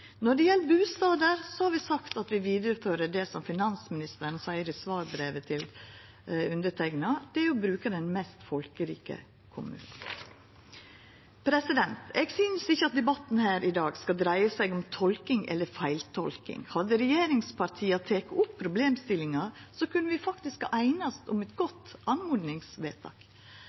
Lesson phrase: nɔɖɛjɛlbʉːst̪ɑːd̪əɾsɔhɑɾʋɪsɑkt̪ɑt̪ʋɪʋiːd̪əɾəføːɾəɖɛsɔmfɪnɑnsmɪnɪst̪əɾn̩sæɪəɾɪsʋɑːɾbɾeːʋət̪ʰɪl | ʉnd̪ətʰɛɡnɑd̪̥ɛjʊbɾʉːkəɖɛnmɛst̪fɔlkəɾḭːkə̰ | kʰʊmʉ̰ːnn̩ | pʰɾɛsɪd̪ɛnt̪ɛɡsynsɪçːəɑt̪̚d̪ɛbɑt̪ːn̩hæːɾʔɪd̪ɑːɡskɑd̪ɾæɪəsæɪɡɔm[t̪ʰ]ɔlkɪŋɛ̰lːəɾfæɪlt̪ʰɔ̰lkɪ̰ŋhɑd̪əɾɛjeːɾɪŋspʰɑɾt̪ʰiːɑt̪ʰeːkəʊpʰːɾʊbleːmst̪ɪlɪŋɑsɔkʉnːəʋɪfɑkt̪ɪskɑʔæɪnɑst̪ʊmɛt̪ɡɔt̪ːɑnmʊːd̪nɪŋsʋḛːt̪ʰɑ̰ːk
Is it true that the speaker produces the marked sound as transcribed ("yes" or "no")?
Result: yes